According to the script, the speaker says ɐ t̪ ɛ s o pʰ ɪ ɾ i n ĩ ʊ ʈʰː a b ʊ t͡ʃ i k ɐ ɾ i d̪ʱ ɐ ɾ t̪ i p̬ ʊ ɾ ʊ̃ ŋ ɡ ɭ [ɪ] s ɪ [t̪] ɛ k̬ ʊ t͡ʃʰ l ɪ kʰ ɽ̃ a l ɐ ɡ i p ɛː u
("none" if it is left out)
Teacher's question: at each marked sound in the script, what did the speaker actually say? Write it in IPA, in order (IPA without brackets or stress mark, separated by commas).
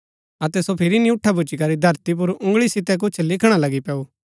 i, t̪